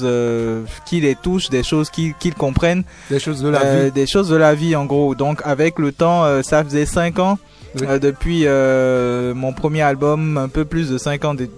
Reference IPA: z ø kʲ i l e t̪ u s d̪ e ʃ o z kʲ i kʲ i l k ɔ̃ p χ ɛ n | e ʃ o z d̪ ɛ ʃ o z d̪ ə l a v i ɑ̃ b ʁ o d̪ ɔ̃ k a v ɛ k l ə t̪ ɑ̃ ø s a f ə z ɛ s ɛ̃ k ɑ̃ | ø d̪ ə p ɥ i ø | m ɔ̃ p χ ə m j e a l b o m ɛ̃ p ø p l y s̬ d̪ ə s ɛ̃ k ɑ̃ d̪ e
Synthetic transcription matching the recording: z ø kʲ i l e t̪ u ʃ d̪ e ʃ o z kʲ i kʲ i l k ɔ̃ p χ ɛ n | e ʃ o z d̪ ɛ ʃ o z d̪ ə l a v i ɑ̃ ɡ ʁ o d̪ ɔ̃ k a v ɛ k l ə t̪ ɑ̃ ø s a f ə z ɛ s ɛ̃ k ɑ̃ | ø d̪ ə p ɥ i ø | m ɔ̃ p χ ə m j e a l b ɔ m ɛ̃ p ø p l y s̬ d̪ ə s ɛ̃ k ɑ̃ d̪ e